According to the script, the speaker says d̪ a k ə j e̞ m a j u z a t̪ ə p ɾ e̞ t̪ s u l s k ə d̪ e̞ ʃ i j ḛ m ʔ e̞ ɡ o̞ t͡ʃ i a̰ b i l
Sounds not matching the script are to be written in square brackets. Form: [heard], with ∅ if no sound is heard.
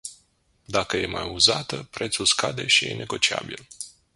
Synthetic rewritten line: d̪ a k ə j e̞ m a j u z a t̪ ə p ɾ e̞ t̪ s u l s k [a] d̪ e̞ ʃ i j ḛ [n] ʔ e̞ ɡ o̞ t͡ʃ i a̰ b i l

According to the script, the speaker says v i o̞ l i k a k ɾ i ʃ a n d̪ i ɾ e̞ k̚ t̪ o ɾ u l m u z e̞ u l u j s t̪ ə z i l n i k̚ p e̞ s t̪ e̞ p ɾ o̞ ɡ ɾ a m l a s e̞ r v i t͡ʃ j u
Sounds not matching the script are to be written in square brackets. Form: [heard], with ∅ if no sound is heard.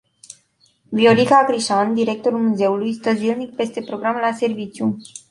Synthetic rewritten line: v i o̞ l i k a k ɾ i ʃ a n d̪ i ɾ e̞ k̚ t̪ o ɾ u l m u z e̞ u l u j s t̪ ə z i l n i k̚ p e̞ s t̪ e̞ p ɾ o̞ ɡ ɾ a m l a s e̞ r v i t͡ʃ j u

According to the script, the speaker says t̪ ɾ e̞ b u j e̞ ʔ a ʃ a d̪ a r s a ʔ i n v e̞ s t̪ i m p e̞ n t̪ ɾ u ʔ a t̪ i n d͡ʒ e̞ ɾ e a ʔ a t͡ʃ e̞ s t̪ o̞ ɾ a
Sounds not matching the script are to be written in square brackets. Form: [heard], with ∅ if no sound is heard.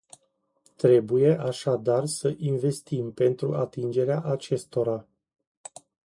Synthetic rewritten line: t̪ ɾ e̞ b u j e̞ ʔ a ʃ a d̪ a r s [ə] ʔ i n v e̞ s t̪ i m p e̞ n t̪ ɾ u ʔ a t̪ i n d͡ʒ e̞ ɾ e a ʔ a t͡ʃ e̞ s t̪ o̞ ɾ a

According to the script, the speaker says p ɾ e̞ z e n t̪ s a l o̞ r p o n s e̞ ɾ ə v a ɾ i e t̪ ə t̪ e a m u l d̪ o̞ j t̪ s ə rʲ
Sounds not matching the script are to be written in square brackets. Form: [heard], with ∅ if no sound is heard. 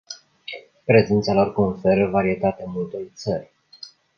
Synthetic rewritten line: p ɾ e̞ z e n t̪ s a l o̞ r [k] o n [f] e̞ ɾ ə v a ɾ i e t̪ [a] t̪ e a m u l [t̪] o̞ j t̪ s ə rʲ

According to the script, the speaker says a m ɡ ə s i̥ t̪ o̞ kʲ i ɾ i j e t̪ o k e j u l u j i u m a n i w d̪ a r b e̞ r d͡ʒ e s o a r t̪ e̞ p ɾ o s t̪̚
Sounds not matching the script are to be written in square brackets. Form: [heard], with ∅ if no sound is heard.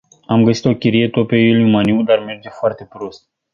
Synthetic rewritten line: a m ɡ ə s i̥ t̪ o̞ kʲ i ɾ i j e t̪ o [p] e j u l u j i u m a n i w d̪ a r [m] e̞ r d͡ʒ e [f] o a r t̪ e̞ p ɾ o s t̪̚

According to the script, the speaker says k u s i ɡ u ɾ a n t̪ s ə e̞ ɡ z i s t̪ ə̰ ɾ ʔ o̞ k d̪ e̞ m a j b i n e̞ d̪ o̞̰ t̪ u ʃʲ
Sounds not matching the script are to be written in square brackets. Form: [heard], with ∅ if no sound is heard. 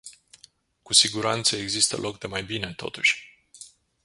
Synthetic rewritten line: k u s i ɡ u ɾ a n t̪ s ə e̞ ɡ z i s t̪ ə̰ [l] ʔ o̞ k d̪ e̞ m a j b i n e̞ [t̪] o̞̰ t̪ u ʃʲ

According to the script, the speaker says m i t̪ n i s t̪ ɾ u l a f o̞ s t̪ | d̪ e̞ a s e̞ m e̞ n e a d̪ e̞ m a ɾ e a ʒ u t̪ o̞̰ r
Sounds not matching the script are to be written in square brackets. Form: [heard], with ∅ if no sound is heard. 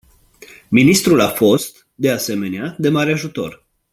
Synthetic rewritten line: m i [∅] n i s t̪ ɾ u l a f o̞ s t̪ | d̪ e̞ a s e̞ m e̞ n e a d̪ e̞ m a ɾ e a ʒ u t̪ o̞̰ r

